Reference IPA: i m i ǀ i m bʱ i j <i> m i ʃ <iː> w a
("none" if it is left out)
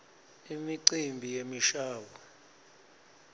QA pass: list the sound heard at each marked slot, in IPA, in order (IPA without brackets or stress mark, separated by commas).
e, aː